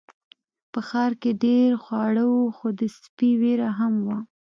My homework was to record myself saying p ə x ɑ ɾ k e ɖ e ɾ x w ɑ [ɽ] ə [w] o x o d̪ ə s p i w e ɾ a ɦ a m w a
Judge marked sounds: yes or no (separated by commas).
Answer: yes, yes